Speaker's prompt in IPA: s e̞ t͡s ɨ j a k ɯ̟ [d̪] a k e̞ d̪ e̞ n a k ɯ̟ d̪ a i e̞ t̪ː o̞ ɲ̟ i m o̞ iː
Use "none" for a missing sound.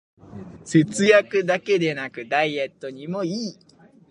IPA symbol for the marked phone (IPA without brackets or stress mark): d̪